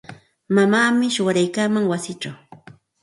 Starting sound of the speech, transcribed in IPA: m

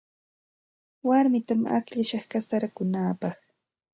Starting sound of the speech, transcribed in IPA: w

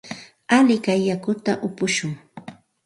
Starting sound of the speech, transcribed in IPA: a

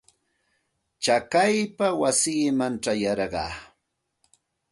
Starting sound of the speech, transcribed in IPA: t͡ʃ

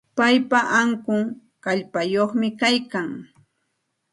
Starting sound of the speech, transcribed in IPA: p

